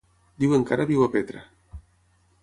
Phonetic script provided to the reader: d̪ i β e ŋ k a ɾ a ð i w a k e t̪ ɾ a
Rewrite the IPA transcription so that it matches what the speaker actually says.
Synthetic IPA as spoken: d̪ i w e ŋ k a ɾ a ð i w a p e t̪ ɾ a